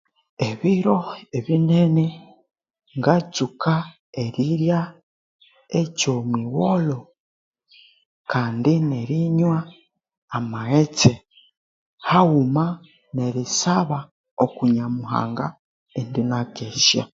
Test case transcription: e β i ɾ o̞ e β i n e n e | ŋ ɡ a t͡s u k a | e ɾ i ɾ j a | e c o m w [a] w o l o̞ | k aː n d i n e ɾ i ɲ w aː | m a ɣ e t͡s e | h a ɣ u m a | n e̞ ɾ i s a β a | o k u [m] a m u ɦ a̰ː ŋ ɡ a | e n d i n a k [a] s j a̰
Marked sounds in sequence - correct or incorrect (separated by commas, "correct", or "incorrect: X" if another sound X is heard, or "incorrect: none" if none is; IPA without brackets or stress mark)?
incorrect: i, incorrect: ɲ, incorrect: e